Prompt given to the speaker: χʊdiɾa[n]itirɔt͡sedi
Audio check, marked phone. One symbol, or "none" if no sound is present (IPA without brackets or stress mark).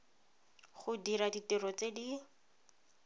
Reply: d